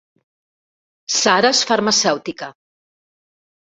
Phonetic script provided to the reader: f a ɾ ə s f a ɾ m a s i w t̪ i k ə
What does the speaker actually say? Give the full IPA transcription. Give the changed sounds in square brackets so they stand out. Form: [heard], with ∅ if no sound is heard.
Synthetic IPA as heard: [s] a ɾ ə s f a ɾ m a s [ɛ] w t̪ i k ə